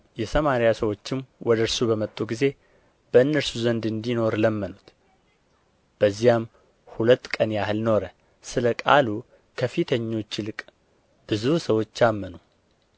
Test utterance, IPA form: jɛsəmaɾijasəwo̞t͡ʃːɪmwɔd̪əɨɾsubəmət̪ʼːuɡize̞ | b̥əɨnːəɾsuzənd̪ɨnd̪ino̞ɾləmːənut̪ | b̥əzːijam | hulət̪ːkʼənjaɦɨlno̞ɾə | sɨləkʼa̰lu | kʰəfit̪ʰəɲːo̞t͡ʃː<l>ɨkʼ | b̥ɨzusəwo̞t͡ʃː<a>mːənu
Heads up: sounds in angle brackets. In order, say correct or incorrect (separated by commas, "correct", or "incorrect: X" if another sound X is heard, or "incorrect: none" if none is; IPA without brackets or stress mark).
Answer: correct, correct